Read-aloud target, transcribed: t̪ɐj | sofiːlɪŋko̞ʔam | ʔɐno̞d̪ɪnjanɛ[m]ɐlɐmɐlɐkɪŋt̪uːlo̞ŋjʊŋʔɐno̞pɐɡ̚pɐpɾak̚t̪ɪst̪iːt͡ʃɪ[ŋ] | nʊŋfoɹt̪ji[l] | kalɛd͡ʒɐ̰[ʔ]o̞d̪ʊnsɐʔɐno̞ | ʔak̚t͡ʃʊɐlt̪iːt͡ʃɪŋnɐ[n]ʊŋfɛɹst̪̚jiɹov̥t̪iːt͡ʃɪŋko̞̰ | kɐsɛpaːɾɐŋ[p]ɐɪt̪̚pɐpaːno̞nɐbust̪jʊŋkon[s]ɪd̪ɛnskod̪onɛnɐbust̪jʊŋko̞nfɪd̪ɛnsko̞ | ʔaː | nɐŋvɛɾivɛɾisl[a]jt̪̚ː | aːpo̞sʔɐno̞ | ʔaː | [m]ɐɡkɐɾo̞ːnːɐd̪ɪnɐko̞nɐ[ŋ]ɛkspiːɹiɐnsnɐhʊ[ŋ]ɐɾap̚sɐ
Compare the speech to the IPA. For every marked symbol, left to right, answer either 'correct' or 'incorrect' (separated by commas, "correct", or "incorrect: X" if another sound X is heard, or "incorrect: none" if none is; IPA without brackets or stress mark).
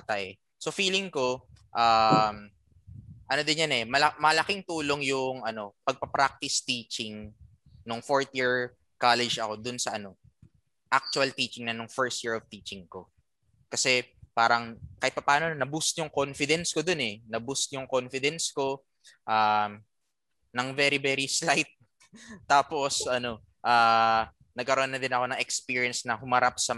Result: correct, correct, incorrect: ɹ, incorrect: k, correct, incorrect: k, incorrect: f, correct, incorrect: n, correct, incorrect: m